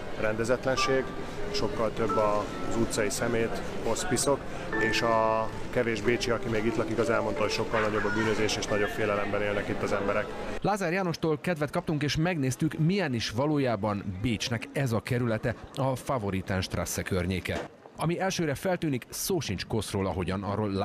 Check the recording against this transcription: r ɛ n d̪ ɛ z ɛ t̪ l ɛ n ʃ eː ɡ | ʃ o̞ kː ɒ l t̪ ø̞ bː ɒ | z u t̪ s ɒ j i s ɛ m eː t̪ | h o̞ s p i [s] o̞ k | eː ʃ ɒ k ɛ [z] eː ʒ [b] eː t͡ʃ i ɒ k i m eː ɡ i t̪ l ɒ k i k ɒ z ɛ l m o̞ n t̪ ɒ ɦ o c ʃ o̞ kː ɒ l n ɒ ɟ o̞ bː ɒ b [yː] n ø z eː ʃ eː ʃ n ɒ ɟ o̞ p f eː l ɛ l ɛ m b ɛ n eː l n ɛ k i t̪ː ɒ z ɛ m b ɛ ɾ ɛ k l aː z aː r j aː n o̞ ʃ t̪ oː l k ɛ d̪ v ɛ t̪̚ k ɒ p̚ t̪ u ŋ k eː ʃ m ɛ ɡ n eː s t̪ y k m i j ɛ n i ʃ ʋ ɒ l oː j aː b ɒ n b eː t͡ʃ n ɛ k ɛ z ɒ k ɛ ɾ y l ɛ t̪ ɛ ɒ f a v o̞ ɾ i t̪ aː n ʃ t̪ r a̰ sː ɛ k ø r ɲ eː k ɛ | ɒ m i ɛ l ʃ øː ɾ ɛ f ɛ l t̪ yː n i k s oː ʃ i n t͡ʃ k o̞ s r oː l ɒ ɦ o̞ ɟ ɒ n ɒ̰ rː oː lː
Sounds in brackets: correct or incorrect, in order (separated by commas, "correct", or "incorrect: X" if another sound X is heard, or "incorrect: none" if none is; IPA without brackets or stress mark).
correct, incorrect: v, correct, correct